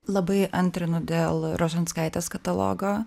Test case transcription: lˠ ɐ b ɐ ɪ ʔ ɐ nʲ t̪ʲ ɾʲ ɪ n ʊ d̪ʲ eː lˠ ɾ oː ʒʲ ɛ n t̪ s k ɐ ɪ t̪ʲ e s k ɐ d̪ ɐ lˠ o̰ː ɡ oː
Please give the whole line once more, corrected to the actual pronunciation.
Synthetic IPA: lˠ ɐ b ɐ ɪ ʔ ɐ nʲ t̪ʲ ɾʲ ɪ n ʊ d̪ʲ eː lˠ ɾ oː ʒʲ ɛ n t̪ s k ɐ ɪ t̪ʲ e s k ɐ t̪ ɐ lˠ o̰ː ɡ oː